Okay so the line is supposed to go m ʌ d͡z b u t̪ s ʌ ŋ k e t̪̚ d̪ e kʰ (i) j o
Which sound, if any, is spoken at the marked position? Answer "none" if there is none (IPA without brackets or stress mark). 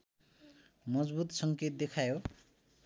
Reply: a